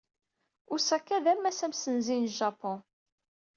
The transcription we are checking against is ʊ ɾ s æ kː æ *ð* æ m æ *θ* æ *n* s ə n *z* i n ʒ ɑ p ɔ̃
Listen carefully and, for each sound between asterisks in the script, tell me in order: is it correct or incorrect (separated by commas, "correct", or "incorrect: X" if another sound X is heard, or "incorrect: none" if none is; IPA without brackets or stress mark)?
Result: correct, incorrect: s, incorrect: m, correct